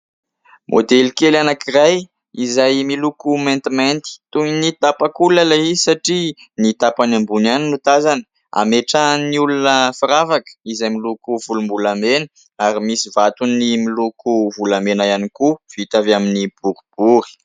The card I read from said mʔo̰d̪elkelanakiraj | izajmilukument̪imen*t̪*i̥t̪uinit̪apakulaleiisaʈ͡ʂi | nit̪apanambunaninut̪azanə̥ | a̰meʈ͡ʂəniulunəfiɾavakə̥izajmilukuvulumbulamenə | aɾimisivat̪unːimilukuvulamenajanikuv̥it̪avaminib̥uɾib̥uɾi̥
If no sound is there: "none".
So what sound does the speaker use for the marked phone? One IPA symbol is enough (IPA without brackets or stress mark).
t̪